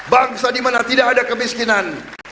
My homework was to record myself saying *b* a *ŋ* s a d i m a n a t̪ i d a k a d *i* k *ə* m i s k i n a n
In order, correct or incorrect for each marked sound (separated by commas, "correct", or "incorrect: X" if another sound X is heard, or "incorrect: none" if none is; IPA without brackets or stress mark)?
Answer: correct, correct, incorrect: a, correct